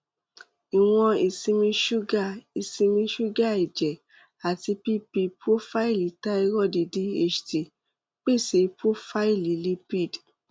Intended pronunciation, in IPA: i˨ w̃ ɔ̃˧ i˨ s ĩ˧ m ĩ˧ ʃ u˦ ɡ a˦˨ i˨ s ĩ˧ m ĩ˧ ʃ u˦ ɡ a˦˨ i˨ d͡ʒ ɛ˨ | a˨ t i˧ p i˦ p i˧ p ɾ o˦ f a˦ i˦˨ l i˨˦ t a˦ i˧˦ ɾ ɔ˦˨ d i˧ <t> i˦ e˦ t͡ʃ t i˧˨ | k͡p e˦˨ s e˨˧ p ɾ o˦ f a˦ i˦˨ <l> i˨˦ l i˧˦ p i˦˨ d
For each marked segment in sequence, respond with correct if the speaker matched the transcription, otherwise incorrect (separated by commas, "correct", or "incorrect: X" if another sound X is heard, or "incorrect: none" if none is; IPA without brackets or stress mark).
incorrect: d, correct